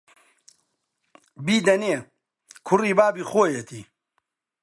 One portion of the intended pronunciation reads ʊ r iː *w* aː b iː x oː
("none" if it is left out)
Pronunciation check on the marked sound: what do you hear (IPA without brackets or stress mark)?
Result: b